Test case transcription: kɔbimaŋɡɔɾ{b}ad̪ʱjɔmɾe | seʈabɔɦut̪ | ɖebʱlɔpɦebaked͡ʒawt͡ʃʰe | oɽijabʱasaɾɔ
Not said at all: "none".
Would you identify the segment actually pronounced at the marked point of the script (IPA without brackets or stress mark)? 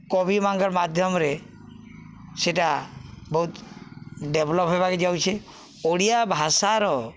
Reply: m